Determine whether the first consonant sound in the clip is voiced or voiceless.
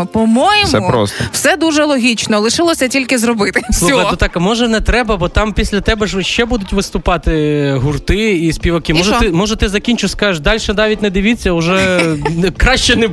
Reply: voiceless